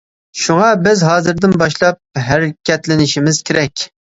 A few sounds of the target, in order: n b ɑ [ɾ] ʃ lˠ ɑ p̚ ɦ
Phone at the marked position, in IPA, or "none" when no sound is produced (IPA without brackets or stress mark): none